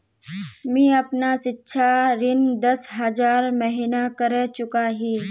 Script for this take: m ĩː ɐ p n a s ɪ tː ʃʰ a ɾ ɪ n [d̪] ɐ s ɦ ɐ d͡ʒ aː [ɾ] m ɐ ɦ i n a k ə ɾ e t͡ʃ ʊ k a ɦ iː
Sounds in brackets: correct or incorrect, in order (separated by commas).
correct, correct